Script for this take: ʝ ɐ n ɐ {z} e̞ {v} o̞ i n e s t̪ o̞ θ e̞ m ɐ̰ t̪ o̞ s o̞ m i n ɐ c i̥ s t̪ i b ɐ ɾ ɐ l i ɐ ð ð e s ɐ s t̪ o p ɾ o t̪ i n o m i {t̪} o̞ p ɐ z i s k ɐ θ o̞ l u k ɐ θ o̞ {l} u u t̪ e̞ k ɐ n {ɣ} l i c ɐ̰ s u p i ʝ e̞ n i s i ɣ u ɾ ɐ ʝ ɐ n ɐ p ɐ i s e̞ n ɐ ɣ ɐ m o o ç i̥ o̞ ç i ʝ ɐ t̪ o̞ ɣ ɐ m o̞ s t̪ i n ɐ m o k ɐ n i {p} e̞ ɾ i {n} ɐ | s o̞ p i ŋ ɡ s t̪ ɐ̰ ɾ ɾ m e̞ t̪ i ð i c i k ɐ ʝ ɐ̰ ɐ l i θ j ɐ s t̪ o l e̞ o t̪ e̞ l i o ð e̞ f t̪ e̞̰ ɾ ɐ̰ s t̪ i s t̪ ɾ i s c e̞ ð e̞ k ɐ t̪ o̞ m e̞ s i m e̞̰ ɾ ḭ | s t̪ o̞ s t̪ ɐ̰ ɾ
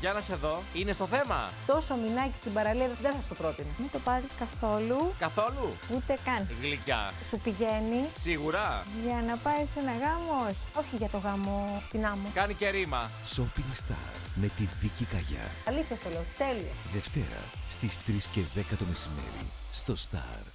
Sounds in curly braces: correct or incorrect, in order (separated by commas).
incorrect, incorrect, correct, correct, correct, incorrect, incorrect